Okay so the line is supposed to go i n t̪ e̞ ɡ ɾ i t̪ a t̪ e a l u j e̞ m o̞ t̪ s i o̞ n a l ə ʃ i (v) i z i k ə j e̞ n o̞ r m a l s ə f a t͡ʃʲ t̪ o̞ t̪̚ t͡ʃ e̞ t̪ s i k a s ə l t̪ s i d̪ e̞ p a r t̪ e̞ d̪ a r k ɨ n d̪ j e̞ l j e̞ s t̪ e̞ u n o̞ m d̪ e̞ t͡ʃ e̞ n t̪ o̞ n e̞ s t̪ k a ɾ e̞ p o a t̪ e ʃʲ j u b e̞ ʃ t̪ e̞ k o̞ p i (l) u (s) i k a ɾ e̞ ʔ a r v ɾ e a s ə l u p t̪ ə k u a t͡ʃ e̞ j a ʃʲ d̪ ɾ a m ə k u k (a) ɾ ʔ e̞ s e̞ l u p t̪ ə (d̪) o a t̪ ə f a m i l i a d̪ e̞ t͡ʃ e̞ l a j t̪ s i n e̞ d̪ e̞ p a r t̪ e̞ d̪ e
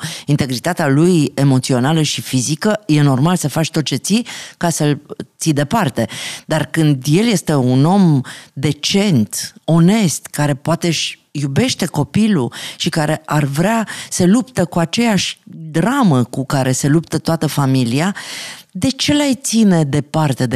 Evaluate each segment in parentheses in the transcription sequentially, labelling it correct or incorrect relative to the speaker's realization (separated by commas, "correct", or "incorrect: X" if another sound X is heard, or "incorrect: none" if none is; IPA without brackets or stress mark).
incorrect: f, correct, incorrect: ʃ, correct, incorrect: t̪